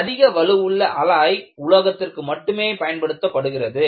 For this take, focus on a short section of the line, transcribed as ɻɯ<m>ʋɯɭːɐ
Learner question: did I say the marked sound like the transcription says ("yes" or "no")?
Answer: no